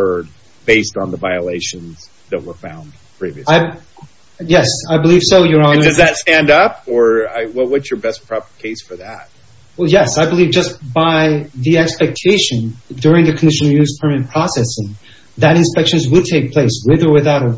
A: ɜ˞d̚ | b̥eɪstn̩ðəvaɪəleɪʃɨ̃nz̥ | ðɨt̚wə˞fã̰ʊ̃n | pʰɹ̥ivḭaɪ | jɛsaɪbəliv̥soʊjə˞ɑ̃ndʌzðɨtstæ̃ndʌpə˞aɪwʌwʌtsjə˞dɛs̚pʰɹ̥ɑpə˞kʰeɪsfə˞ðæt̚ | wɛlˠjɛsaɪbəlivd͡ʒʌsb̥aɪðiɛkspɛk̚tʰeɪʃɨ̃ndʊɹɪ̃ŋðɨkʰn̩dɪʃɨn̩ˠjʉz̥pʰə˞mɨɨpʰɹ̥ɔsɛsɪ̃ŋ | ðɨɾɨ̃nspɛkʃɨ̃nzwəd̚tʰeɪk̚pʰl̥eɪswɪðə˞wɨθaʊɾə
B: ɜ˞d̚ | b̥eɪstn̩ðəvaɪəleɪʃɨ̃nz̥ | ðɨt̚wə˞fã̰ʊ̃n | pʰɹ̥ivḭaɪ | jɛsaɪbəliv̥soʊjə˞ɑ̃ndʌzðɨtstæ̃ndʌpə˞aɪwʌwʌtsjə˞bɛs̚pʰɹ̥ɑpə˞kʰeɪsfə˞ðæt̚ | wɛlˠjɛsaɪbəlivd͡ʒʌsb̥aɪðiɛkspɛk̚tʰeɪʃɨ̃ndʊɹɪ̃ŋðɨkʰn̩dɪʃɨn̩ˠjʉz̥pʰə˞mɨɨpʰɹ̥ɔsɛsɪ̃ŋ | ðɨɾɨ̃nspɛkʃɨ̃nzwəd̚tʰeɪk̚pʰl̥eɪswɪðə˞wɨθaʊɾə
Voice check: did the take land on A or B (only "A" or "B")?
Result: B